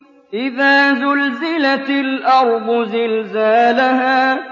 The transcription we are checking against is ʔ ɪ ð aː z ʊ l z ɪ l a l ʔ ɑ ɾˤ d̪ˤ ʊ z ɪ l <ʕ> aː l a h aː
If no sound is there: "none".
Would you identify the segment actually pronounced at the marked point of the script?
z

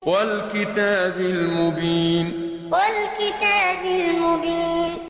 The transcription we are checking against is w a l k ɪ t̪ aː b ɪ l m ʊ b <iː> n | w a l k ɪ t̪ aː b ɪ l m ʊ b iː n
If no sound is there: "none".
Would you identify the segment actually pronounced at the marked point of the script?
iː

